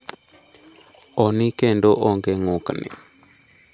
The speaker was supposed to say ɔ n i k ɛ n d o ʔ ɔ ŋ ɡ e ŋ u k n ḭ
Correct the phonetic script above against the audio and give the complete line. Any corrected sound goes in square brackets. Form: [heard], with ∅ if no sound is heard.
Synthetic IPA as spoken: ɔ n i k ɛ n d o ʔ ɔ ŋ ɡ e ŋ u k n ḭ